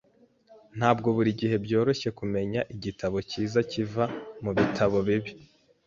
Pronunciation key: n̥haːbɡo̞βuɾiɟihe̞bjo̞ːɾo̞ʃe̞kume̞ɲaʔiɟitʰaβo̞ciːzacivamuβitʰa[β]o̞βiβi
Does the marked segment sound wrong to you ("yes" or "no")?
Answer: no